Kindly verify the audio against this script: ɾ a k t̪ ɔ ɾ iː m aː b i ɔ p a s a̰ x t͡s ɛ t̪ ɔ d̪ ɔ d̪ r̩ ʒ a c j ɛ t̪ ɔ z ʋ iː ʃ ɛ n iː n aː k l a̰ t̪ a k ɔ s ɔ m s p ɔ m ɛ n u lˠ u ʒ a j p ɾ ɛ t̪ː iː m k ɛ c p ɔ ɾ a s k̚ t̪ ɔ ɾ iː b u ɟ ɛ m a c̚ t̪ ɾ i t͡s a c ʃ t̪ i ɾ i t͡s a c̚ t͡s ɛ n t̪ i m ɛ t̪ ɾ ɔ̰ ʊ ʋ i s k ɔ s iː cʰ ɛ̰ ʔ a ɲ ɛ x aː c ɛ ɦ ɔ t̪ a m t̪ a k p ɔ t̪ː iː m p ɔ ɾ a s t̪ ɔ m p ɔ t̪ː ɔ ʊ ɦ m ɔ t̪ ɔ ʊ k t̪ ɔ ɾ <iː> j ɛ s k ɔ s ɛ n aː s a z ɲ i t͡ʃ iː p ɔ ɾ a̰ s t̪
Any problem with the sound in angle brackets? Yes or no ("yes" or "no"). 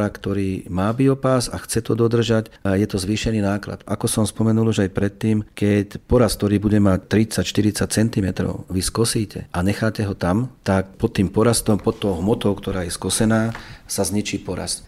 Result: yes